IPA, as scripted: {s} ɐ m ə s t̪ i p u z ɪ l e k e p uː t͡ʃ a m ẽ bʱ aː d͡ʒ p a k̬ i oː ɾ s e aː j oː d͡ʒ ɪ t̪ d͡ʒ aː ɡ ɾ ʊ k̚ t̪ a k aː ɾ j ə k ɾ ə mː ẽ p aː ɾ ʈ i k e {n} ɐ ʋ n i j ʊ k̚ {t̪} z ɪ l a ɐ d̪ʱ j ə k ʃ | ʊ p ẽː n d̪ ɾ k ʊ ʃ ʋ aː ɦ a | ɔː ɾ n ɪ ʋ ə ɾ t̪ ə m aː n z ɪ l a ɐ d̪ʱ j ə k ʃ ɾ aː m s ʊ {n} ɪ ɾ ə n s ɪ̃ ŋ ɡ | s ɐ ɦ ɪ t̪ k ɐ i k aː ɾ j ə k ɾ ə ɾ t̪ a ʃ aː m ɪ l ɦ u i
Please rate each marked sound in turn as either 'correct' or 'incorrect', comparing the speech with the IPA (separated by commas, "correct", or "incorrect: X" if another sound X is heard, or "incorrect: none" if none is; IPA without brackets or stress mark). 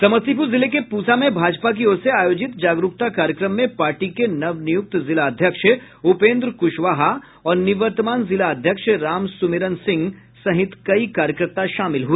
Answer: correct, correct, correct, incorrect: m